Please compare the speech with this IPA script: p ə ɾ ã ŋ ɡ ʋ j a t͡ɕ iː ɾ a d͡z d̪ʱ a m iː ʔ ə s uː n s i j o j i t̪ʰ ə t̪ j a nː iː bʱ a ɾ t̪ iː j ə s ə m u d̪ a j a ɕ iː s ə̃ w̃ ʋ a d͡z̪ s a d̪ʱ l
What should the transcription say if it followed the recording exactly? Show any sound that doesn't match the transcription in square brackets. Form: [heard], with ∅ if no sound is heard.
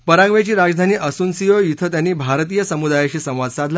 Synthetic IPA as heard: p ə ɾ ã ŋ ɡ ʋ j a t͡ɕ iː ɾ a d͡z d̪ʱ a [n] iː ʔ ə s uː n s i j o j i t̪ʰ ə t̪ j a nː iː bʱ a ɾ t̪ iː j ə s ə m u d̪ a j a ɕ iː s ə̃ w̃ ʋ a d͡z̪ s a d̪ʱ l